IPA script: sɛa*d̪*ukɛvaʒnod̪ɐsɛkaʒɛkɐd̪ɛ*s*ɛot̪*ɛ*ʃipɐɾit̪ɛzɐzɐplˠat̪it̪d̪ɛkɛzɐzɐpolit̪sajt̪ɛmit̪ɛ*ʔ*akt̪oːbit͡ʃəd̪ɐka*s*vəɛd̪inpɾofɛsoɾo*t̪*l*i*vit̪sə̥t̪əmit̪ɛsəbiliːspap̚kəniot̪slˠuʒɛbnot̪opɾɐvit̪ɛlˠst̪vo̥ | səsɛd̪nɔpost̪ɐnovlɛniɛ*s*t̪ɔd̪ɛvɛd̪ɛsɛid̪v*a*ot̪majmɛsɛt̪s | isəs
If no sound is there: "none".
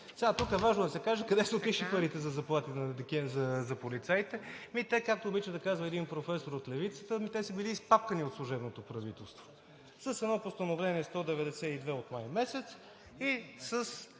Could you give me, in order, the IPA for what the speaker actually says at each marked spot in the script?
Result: t̪, s, i, k, z, t̪, ɛ, s, ɛ

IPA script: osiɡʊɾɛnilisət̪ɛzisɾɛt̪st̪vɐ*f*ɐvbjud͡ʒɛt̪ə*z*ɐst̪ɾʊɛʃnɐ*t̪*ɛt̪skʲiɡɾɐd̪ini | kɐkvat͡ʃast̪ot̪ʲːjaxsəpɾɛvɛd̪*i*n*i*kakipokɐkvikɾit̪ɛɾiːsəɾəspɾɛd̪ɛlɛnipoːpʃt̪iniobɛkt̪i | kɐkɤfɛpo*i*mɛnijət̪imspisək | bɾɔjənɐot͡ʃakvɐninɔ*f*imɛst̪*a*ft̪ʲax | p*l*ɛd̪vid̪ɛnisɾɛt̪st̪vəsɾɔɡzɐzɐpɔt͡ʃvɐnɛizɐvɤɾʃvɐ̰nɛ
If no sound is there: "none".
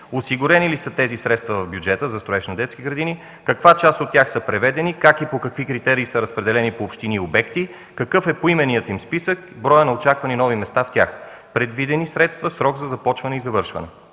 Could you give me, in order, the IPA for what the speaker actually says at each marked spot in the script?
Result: v, z, d̪, ɛ, i, i, v, a, ɾ

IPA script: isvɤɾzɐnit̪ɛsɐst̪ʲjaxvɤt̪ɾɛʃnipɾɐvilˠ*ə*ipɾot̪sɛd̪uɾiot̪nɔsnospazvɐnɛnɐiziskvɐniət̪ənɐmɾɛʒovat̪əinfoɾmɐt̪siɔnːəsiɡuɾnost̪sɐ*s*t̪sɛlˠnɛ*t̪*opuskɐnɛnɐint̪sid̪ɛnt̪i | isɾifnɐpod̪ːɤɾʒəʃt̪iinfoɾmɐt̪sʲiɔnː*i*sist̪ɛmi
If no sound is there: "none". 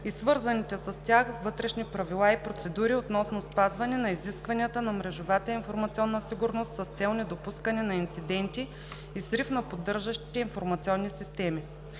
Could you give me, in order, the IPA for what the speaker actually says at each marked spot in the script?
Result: a, s, d̪, i

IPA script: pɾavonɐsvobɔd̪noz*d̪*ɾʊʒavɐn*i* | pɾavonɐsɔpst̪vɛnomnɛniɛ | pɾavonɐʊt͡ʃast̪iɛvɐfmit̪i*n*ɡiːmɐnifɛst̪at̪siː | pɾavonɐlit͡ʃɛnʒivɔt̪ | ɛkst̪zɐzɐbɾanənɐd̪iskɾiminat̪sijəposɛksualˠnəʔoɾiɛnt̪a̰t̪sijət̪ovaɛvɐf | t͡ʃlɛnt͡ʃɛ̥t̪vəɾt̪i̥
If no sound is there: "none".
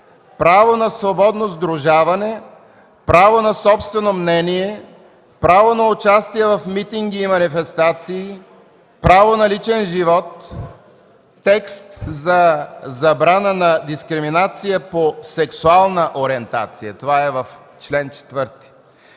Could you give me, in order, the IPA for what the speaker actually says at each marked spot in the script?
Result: d̪, ɛ, ŋ

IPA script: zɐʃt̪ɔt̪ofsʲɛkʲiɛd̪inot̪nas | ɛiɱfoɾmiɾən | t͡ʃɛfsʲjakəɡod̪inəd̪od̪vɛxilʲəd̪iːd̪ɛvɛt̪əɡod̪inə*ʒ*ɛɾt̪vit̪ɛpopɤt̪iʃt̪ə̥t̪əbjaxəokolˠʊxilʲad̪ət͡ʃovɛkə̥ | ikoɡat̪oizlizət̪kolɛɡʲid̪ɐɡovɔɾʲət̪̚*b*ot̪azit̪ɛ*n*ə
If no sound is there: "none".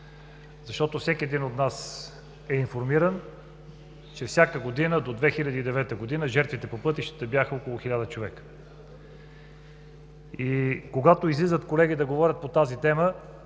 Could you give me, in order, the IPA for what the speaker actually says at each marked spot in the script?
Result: ʒ, p, m

